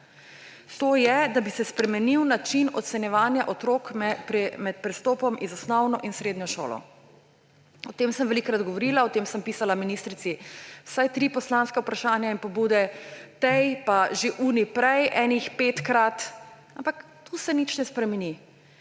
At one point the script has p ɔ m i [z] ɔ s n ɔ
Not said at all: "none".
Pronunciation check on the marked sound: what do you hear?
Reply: z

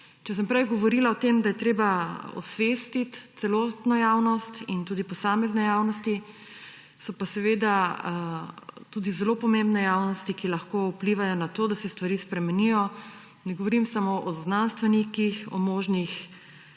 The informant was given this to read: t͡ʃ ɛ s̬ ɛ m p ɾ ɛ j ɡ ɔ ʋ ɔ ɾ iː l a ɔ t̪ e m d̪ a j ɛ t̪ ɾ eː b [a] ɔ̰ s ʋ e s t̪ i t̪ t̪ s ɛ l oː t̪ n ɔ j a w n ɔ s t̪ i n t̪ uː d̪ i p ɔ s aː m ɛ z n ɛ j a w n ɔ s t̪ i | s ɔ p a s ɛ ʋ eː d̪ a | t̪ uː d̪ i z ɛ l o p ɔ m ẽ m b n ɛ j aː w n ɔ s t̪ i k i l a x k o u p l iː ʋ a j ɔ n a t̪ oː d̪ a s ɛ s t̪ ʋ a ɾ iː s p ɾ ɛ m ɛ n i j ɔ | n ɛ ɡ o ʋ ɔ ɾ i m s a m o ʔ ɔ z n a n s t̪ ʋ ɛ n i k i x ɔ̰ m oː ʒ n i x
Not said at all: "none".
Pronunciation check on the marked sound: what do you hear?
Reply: a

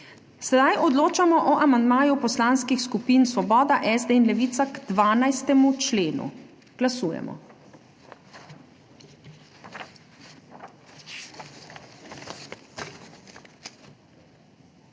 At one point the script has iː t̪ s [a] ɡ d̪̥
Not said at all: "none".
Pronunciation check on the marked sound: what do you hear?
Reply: a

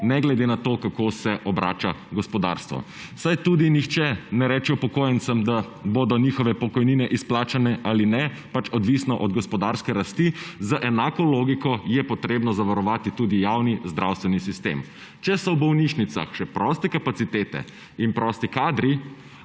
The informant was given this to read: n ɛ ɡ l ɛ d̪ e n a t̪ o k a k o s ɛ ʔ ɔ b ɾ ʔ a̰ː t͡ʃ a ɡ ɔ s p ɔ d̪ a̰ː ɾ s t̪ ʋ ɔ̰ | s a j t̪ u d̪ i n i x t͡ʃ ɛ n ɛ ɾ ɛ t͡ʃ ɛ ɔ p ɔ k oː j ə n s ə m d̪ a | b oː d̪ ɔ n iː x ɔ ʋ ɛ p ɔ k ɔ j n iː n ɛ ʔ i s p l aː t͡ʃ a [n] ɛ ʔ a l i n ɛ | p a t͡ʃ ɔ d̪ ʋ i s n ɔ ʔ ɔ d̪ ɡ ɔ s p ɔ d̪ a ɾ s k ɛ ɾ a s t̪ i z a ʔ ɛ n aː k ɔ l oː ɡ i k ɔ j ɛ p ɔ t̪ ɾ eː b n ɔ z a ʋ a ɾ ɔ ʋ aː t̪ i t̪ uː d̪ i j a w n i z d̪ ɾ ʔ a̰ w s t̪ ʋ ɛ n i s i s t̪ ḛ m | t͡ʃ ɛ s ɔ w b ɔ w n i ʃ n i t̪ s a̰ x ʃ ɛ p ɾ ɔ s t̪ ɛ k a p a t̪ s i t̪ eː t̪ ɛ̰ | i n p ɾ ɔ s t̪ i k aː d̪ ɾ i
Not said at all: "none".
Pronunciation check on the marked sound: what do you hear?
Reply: n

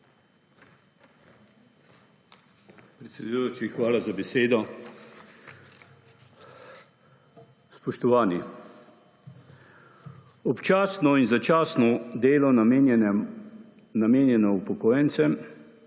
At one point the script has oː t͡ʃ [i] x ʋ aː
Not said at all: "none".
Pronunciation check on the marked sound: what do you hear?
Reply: i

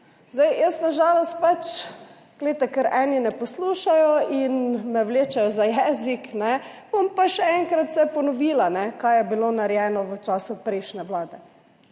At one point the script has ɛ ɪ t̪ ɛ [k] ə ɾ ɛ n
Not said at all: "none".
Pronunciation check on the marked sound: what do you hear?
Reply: k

